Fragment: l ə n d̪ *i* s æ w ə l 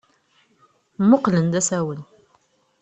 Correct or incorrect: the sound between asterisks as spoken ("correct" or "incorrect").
incorrect